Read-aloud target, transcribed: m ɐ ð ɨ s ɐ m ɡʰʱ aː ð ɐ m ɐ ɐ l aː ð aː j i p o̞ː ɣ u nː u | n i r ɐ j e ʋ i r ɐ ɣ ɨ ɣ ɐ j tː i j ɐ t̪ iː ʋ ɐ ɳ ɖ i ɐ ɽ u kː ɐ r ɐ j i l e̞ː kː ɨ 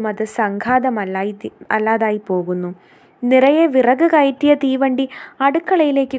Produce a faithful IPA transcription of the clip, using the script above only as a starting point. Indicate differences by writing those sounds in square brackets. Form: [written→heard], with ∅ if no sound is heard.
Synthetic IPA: m ɐ ð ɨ s ɐ [m→ŋ] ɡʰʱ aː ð ɐ m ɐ ɐ [l→lː] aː ð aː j i p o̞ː ɣ u nː u | n i r ɐ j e ʋ i r ɐ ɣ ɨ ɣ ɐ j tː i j ɐ t̪ iː ʋ ɐ ɳ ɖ i ɐ ɽ u kː ɐ [r→ɭ] ɐ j i l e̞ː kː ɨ